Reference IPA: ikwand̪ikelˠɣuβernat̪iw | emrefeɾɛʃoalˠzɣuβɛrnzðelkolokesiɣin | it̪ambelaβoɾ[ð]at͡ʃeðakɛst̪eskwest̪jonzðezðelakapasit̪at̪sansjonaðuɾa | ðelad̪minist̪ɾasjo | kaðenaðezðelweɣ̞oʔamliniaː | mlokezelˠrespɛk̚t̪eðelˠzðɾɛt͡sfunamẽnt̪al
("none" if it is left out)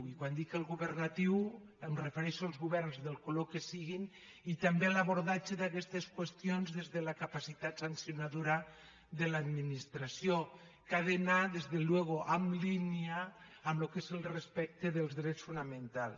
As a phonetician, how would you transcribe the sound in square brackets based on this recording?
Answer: ð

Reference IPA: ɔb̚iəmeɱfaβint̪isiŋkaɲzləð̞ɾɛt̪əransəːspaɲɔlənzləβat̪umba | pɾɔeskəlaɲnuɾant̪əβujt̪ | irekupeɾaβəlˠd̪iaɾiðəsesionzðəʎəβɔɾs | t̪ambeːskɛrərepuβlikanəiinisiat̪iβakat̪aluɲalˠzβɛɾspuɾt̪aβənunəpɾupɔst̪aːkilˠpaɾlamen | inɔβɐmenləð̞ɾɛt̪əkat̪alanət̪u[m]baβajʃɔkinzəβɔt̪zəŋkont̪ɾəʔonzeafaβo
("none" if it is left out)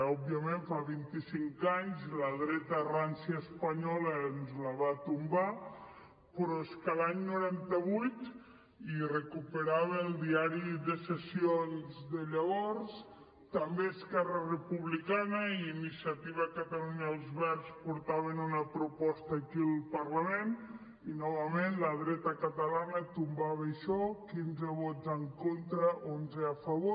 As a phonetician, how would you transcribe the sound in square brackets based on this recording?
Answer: m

